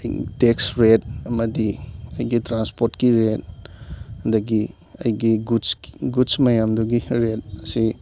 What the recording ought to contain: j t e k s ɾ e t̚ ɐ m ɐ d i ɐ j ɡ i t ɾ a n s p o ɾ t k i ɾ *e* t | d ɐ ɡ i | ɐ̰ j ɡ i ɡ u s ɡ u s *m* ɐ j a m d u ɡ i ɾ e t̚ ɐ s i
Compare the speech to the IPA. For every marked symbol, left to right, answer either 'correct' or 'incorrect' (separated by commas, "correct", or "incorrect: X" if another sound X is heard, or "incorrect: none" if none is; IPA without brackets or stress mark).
correct, correct